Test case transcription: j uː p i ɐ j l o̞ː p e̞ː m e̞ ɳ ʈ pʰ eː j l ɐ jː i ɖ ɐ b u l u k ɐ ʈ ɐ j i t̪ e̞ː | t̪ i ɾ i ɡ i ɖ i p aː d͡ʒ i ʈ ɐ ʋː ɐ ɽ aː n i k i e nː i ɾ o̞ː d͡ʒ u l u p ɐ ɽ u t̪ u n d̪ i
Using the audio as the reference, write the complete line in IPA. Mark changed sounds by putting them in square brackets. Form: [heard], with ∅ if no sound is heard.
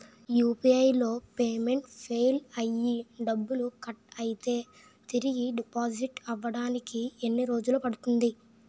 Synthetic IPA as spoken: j uː p i ɐ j l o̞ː p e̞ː m e̞ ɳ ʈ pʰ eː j l ɐ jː i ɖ ɐ [bː] u l u k ɐ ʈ ɐ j i t̪ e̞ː | t̪ i ɾ i ɡ i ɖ i p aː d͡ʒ i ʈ ɐ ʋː ɐ ɽ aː n i k i e nː i ɾ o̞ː d͡ʒ u l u p ɐ ɽ u t̪ u n d̪ i